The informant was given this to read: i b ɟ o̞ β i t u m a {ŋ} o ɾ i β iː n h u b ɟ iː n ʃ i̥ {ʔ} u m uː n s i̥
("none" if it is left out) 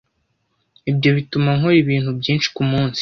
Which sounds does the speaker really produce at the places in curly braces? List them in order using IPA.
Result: ŋ, k

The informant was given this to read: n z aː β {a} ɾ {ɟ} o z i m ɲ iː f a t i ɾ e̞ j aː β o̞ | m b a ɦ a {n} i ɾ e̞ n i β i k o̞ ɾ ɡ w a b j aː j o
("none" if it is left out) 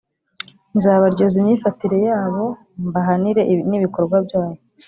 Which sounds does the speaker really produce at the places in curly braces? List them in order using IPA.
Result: a, ɟ, n

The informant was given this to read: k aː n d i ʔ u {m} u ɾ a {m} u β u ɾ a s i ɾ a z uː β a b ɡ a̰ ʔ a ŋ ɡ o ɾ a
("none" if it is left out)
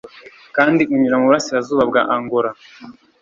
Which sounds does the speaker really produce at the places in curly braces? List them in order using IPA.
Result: ɲ, m

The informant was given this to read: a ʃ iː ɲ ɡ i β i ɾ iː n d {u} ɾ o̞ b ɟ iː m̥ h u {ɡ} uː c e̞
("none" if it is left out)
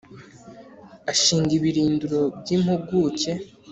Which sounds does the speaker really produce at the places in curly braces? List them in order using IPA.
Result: u, ɡ

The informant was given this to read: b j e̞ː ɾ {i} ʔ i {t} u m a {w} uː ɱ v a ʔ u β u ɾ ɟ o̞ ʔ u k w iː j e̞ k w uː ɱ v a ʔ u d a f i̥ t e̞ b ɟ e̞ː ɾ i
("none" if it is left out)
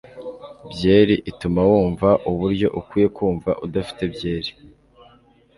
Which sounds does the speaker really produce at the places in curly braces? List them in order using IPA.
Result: i, t, w

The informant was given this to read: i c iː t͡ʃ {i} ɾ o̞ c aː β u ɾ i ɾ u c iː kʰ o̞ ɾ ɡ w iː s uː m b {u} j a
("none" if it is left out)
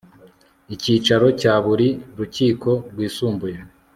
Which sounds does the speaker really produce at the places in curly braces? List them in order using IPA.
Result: a, u

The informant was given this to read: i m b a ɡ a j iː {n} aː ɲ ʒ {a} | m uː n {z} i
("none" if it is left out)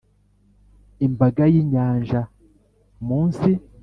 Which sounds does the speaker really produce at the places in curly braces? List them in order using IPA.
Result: ɲ, a, s

